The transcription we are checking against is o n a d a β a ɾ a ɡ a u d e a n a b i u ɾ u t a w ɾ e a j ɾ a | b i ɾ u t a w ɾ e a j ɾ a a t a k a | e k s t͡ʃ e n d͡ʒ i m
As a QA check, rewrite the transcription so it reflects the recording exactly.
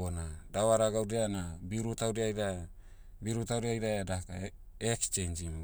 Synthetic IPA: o n a d a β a ɾ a ɡ a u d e a n a b i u ɾ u t a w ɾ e a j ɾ a | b i ɾ u t a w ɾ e a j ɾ a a d a k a | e k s t͡ʃ e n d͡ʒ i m

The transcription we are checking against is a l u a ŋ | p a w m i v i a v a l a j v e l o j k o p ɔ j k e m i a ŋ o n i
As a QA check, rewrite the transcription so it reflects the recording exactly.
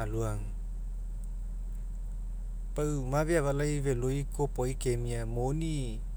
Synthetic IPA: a l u a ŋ | p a w m a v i a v a l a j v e l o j k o p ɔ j k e m i a m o n i

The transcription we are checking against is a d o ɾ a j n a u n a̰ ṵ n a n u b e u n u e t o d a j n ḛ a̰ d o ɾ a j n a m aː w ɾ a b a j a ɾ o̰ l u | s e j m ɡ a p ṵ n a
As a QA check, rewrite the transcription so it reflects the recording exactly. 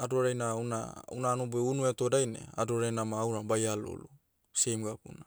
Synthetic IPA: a d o ɾ a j n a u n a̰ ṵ n a n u b e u n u e t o d a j n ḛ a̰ d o ɾ a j n a m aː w ɾ a b a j a l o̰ l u | s e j m ɡ a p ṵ n a

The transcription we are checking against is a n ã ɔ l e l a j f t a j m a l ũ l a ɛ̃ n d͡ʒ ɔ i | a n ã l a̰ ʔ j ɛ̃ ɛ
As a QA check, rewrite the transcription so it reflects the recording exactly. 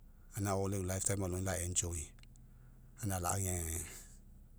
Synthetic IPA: a n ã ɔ l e l a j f t a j m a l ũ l a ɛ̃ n d͡ʒ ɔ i | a n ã l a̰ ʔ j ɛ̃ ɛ

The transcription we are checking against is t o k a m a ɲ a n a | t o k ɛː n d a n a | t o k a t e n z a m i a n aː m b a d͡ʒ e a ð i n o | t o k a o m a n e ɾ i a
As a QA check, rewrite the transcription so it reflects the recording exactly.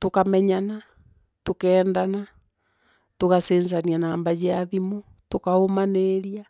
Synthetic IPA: t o k a m ɛ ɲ a n a | t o k ɛː n d a n a | t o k a s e n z a n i a n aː m b a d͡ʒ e a ð i m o | t o k a o m a n e ɾ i a

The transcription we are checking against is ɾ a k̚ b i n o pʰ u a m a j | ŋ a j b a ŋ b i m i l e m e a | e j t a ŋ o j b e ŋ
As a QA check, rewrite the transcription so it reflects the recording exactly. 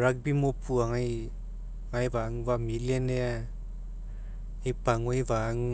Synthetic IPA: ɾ a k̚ b i m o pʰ u a ŋ a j | ŋ a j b a ŋ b a m i l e n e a | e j p a ŋ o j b a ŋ

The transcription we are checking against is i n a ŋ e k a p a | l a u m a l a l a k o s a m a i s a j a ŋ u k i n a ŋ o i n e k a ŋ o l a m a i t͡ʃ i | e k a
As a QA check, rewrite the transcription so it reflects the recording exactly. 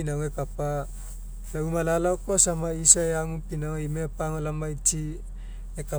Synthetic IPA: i n a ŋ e k a p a | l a u m a l a l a k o s a m a i s a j a ŋ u p i n a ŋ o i m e p a ŋ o l a m a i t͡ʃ i | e k a

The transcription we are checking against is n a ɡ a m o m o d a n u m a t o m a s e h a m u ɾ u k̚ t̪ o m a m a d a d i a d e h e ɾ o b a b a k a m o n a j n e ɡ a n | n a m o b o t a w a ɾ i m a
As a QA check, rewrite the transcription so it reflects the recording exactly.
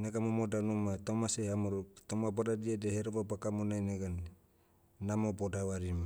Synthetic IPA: n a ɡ a m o m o d a n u m a t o m a s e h a m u ɾ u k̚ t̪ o m a b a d a d i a d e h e ɾ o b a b a k a m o n a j n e ɡ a n | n a m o b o d a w a ɾ i m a

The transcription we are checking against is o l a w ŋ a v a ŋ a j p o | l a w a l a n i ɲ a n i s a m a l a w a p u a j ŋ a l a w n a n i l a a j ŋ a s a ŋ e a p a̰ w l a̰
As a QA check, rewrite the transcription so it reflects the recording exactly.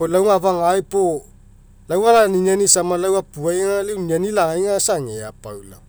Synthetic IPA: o l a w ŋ a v a ŋ a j p o | l a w a l a n i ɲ a n i s a m a l a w a p u a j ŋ a l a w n a n i l a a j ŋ a s a ŋ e a p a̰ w l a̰

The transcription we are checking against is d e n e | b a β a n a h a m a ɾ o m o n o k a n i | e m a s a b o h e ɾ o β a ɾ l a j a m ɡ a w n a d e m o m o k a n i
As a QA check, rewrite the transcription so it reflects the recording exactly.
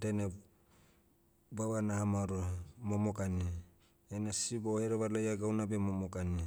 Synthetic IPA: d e n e | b a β a n a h a m a ɾ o m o m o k a n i | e n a s i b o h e ɾ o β a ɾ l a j a ɡ a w n a b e m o m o k a n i

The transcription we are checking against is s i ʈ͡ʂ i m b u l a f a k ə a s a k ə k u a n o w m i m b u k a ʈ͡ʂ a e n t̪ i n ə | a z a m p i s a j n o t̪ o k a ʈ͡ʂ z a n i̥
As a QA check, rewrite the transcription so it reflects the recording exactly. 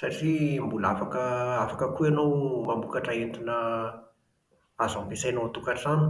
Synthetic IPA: s a ʈ͡ʂ i m b u l a f a k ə a f a k ə k u a n o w m a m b u k a ʈ͡ʂ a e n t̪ i n ə | a z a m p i s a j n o t̪ u k a ʈ͡ʂ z a n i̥

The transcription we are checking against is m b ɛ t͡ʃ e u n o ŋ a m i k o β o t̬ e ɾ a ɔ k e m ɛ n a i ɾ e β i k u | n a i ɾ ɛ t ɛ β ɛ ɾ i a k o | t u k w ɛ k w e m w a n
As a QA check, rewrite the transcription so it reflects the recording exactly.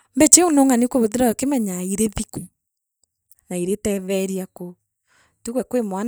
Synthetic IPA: m b ɛ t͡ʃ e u n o ŋ a n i k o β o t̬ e ɾ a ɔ k e m ɛ ɲ a i ɾ e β i k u | n a i ɾ e t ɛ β ɛ ɾ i a k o | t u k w ɛ k w e m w a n

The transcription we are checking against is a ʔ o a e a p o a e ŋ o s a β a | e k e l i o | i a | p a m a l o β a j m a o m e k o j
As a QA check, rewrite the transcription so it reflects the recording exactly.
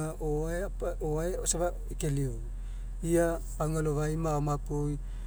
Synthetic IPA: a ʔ o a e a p o a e o s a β a | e k e l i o | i a | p a ŋ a l o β a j m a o m a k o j

